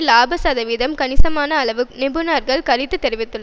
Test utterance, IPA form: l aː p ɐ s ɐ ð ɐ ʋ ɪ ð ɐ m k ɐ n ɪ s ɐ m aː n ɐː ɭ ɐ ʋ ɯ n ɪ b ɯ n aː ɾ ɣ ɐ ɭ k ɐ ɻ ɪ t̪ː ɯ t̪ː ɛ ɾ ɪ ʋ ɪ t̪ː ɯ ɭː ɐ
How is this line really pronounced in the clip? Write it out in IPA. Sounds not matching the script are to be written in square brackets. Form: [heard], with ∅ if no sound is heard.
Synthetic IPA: l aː [b] ɐ s ɐ ð ɐ ʋ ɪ ð ɐ m k ɐ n ɪ s ɐ m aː n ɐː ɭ ɐ ʋ ɯ n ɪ b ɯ n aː ɾ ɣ ɐ ɭ k ɐ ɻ ɪ t̪ː ɯ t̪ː ɛ ɾ ɪ ʋ ɪ t̪ː ɯ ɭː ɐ